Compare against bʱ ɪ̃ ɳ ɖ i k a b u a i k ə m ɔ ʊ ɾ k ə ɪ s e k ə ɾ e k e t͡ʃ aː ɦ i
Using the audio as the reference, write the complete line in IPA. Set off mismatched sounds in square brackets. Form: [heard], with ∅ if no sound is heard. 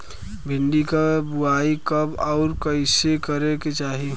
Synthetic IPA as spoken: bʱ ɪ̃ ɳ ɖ i k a b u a i k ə [b] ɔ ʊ ɾ k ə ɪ s e k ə ɾ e k e t͡ʃ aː ɦ i